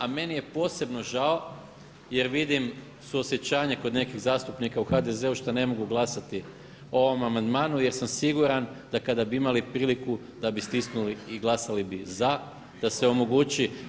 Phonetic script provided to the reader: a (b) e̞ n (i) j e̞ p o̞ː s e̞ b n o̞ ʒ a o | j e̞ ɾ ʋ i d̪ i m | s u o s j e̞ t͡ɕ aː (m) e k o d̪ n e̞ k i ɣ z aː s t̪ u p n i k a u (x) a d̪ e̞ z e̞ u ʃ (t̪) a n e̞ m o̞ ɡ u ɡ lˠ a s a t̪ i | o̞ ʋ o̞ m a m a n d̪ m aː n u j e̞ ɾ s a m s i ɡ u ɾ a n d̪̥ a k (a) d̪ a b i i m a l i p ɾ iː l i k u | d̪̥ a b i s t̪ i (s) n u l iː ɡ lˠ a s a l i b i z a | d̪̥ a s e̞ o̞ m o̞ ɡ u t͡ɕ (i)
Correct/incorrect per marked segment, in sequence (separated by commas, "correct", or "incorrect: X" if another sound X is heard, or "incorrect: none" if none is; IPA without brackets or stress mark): incorrect: m, correct, incorrect: ɲ, correct, correct, correct, correct, correct